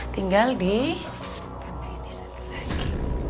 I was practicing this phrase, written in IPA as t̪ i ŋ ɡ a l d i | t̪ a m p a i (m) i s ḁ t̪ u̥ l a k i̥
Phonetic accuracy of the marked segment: incorrect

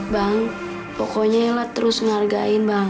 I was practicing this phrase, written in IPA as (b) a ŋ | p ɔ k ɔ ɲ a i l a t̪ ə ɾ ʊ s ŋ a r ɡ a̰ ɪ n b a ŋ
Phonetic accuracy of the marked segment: correct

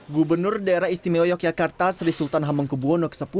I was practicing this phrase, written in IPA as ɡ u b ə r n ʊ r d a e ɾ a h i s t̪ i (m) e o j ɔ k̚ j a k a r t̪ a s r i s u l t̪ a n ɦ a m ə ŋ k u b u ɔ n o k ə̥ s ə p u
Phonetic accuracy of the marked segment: correct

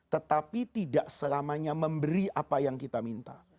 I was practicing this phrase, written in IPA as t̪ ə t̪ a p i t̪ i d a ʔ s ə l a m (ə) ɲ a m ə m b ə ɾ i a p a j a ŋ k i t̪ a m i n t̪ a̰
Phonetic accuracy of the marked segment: incorrect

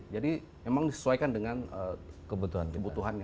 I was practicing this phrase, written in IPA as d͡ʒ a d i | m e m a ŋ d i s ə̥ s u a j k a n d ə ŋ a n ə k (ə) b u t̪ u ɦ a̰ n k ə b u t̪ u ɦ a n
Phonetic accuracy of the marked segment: correct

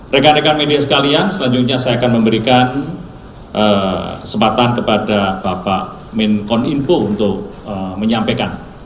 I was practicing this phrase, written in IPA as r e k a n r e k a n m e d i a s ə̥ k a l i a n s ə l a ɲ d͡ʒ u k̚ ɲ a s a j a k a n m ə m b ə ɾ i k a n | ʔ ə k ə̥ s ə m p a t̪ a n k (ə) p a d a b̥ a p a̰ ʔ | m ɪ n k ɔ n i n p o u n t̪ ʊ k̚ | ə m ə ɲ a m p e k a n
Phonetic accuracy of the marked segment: correct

